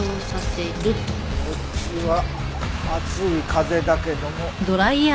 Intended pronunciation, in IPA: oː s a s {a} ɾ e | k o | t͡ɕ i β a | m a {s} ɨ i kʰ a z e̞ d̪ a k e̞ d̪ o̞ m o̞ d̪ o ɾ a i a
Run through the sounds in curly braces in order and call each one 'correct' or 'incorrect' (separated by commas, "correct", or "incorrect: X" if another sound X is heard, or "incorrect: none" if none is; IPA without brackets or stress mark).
incorrect: e, incorrect: t͡s